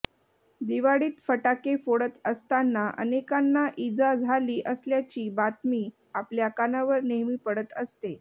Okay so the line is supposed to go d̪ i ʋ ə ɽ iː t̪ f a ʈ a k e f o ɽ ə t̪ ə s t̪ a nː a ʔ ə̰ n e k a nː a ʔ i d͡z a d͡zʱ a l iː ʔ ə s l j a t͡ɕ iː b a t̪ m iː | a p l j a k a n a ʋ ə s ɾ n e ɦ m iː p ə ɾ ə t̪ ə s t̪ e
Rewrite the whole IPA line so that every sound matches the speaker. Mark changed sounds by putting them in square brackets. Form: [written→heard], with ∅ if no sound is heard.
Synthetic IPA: d̪ i ʋ [ə→a] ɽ iː t̪ f [a→ə] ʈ a k e f o ɽ ə t̪ ə s t̪ a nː a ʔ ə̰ n e k a nː a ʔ i d͡z a d͡zʱ a l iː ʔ ə s l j a t͡ɕ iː b a t̪ m iː | a p l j a k a n a ʋ ə [s→∅] ɾ n e ɦ m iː p ə [ɾ→ɽ] ə t̪ ə s t̪ e